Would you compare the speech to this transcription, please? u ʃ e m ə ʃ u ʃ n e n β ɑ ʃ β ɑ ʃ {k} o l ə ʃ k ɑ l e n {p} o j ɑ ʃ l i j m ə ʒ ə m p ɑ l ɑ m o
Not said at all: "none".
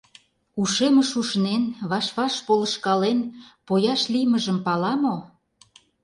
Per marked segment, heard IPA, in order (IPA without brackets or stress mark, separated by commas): p, p